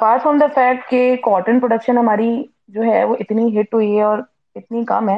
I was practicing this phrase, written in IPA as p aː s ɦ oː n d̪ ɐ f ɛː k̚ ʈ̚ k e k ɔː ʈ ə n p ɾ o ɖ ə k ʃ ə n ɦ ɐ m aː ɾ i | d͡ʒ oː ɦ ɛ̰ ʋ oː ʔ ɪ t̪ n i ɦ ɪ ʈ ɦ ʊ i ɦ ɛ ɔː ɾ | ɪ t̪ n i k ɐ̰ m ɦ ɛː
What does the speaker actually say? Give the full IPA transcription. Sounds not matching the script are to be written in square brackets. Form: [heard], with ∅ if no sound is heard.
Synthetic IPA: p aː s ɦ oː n d̪ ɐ f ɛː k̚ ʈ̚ k e k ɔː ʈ ə n p ɾ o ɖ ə k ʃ ə n ɦ ɐ m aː ɾ i | d͡ʒ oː ɦ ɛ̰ ʋ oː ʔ ɪ t̪ n i ɦ ɪ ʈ ɦ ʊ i ɦ ɛ ɔː ɾ | ɪ t̪ n i k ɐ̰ m ɦ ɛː